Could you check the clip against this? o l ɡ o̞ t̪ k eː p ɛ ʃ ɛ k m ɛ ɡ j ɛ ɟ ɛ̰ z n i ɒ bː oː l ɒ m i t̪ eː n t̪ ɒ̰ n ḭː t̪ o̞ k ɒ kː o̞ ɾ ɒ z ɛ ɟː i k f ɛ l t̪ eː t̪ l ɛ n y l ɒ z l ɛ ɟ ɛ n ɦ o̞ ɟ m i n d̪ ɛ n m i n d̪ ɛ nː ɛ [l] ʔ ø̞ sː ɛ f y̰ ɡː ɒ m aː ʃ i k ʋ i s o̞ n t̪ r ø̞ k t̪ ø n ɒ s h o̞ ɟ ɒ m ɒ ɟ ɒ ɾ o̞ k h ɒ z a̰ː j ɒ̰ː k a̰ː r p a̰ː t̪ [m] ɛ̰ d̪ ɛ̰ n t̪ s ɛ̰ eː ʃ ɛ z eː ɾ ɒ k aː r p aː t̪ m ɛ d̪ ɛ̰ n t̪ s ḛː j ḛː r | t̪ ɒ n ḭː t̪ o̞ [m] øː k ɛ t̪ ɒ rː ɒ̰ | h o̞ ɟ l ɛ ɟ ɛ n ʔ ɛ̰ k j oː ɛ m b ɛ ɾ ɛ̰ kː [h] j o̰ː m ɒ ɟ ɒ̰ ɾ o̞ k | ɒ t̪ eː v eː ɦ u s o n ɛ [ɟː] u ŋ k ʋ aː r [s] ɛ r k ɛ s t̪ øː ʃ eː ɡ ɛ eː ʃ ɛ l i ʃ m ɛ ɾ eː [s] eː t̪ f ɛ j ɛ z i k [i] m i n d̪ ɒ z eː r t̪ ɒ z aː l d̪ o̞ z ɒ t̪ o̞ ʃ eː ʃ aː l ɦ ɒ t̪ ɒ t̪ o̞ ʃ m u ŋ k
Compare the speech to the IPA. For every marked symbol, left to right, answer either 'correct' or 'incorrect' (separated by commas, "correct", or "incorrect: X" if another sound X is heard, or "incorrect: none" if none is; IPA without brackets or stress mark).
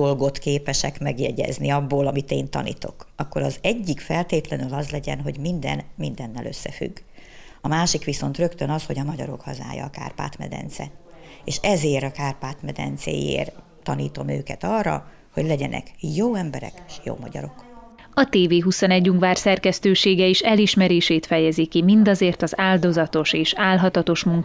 correct, correct, correct, incorrect: ʃ, correct, correct, incorrect: ʃ, correct